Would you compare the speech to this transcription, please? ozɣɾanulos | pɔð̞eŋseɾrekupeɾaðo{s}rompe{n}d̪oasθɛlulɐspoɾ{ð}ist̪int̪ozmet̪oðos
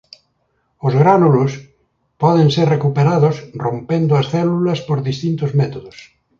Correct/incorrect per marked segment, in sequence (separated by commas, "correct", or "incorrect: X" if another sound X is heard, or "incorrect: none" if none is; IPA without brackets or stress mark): correct, correct, correct